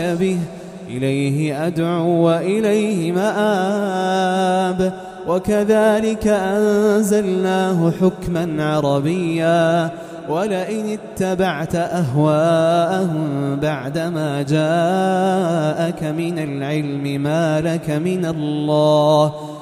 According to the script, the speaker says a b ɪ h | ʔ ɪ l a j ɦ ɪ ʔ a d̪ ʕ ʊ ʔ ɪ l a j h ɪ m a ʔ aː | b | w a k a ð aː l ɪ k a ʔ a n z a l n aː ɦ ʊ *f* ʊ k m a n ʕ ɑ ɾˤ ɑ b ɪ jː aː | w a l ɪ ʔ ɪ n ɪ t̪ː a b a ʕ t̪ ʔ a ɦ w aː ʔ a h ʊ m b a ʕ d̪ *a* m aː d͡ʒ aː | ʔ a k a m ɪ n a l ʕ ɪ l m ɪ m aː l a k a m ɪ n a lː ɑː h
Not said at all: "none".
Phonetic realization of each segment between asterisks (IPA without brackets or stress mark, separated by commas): ħ, a